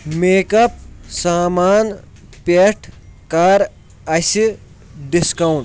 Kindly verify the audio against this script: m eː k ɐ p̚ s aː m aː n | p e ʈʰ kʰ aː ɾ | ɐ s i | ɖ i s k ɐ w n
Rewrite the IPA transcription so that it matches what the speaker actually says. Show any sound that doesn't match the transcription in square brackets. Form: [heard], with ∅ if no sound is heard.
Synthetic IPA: m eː k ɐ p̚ s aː m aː n | p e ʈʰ [k] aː ɾ | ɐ s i | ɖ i s k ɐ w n